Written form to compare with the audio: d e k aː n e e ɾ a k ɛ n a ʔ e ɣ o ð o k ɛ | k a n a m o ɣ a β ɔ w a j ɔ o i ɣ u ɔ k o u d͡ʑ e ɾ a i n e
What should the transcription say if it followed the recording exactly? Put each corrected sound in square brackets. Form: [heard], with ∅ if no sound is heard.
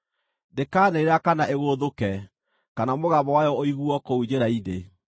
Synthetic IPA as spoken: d e k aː n e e ɾ a k [a] n a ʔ e ɣ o ð o k ɛ | k a n a m o ɣ a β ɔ w a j ɔ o i ɣ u ɔ k o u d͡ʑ e ɾ a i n e